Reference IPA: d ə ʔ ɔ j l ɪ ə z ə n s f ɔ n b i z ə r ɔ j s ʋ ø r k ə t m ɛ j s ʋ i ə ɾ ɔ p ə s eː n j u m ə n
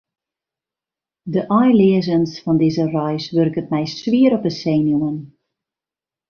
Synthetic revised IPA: d ə ʔ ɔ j l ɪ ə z ə n s f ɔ n d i z ə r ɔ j s ʋ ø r k ə t m ɛ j s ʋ i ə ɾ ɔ p ə s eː n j u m ə n